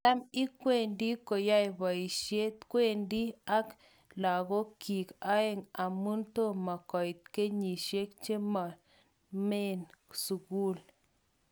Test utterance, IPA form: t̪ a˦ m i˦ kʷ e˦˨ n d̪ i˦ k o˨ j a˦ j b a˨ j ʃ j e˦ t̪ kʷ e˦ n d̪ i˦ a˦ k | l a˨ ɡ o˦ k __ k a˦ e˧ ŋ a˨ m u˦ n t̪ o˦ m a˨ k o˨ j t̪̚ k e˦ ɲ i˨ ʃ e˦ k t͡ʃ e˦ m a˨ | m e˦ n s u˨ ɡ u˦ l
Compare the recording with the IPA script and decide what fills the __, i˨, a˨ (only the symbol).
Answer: i˨